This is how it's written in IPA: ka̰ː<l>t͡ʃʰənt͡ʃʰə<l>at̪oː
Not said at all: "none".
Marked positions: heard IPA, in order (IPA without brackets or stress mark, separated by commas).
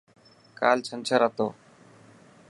l, ɾ